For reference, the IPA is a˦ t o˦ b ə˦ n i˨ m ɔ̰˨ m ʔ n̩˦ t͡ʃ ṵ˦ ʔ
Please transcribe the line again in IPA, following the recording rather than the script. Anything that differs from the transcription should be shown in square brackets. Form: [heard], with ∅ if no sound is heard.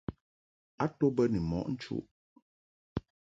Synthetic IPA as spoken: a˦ t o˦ b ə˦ n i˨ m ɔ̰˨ [∅] ʔ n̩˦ t͡ʃ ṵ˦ ʔ